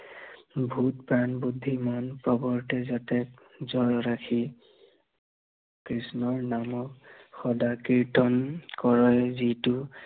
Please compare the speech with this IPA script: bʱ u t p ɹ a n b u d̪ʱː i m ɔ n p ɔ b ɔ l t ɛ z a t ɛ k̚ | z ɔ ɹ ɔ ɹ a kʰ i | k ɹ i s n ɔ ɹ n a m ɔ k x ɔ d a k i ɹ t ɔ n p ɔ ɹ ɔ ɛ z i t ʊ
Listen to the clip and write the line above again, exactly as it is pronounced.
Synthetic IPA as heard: bʱ u t p ɹ a n b u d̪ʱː i m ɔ n p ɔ b ɔ ɹ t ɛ z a t ɛ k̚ | z ɔ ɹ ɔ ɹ a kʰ i | k ɹ i s n ɔ ɹ n a m ɔ k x ɔ d a k i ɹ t ɔ n k ɔ ɹ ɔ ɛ z i t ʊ